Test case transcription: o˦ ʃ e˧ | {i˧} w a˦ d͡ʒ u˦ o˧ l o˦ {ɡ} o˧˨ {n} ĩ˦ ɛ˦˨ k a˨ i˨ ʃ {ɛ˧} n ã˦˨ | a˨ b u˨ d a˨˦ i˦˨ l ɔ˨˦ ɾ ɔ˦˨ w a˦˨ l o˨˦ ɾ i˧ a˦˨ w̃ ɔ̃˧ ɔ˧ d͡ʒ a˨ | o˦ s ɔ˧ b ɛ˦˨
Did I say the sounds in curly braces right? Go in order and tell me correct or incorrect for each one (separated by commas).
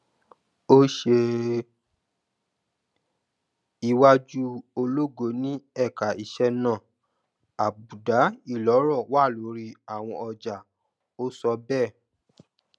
correct, correct, correct, correct